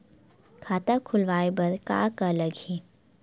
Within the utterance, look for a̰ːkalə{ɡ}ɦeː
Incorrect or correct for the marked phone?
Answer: correct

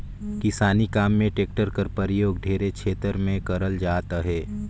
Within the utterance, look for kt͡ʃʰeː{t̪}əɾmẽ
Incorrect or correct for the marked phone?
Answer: correct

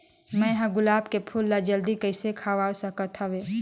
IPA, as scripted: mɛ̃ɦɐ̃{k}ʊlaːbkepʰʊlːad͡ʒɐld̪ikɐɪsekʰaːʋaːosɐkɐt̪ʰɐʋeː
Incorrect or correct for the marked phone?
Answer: incorrect: ɡ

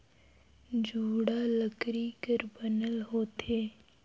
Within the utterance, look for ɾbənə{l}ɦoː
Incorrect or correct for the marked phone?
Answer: correct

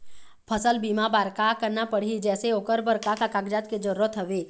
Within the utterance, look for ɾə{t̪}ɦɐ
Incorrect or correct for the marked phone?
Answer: correct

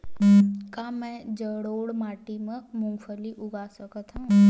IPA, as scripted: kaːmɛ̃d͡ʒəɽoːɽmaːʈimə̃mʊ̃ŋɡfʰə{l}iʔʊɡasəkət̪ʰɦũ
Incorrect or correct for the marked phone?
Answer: correct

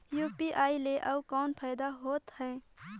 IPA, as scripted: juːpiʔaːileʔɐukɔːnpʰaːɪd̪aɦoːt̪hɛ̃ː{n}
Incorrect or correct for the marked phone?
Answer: incorrect: none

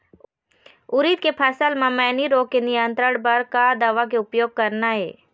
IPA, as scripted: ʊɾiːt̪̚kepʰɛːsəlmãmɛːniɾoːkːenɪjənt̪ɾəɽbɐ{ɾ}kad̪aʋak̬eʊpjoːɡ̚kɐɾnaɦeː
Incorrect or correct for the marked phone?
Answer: correct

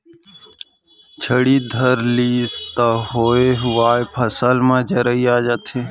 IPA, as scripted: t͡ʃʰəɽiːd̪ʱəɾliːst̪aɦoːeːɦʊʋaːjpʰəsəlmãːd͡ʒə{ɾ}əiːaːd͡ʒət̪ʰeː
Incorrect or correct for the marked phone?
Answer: correct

